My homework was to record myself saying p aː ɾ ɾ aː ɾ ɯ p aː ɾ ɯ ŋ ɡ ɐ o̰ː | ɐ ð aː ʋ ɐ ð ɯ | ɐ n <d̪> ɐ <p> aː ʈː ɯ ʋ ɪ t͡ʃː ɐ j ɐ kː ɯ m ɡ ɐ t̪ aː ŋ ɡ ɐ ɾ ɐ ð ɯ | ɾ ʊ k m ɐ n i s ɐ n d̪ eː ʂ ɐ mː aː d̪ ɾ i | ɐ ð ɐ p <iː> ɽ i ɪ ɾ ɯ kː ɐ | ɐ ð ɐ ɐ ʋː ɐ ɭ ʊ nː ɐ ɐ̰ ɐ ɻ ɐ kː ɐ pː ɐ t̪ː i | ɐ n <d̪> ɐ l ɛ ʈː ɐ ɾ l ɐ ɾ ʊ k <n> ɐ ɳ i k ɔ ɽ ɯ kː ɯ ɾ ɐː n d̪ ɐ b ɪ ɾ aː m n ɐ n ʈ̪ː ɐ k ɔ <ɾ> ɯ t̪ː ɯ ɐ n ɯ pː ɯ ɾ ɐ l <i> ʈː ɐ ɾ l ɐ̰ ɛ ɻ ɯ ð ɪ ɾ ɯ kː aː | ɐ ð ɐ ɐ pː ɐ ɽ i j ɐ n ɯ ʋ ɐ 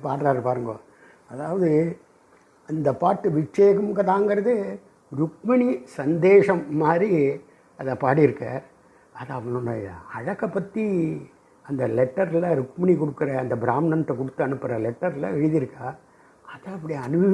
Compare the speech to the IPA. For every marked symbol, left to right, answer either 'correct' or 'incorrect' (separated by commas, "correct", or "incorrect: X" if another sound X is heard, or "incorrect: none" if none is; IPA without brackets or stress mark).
correct, correct, incorrect: aː, correct, incorrect: m, incorrect: ɽ, incorrect: ɛ